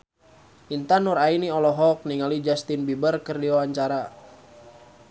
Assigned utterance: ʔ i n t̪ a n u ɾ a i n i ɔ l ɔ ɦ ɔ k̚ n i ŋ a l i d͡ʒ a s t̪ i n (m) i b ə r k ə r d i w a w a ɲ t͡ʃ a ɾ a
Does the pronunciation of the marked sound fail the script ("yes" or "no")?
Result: yes